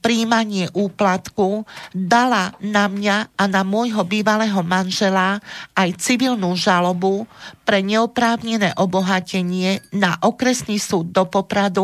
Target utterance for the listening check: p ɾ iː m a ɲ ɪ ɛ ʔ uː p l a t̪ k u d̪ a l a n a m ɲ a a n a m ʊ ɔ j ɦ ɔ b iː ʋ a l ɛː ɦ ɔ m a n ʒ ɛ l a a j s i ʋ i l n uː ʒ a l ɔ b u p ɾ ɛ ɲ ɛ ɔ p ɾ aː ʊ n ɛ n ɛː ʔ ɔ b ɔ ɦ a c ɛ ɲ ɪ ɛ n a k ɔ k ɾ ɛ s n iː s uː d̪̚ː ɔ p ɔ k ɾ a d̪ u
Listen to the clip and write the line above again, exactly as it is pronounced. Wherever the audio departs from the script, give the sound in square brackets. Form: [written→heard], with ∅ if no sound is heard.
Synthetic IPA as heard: p ɾ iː m a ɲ ɪ ɛ ʔ uː p l a t̪ k u d̪ a l a n a m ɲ a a n a m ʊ ɔ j ɦ ɔ b iː ʋ a l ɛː ɦ ɔ m a n ʒ ɛ l a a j [s→t͡s] i ʋ i l n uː ʒ a l ɔ b u p ɾ ɛ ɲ ɛ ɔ p ɾ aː ʊ [n→ɲ] ɛ n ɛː ʔ ɔ b ɔ ɦ a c ɛ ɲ ɪ ɛ n a [k→ʔ] ɔ k ɾ ɛ s n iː s uː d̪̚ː ɔ p ɔ [k→p] ɾ a d̪ u